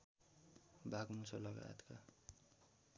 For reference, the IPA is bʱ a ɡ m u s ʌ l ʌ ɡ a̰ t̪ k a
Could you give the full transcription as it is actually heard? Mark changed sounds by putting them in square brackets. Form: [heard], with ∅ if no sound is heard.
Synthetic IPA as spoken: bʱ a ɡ m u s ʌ l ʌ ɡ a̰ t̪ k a